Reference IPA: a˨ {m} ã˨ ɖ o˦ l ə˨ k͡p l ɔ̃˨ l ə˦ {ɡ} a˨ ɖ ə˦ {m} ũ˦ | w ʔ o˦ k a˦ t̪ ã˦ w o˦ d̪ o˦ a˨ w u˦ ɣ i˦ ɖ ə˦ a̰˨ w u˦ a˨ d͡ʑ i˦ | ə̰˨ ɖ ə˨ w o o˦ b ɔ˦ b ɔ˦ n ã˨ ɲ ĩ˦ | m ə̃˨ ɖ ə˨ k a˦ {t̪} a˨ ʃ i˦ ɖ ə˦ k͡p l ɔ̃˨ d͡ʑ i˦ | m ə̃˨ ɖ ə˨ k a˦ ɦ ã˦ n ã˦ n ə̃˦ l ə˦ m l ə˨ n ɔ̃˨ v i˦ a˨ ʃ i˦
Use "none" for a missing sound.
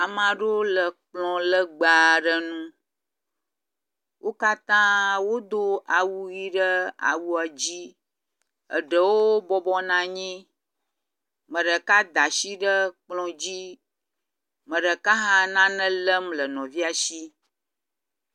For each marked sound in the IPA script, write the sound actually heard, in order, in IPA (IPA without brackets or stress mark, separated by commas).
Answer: m, ɡ͡b, n, d̪